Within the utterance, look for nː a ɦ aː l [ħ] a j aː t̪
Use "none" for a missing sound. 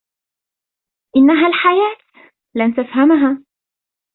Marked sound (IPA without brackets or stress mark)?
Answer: ħ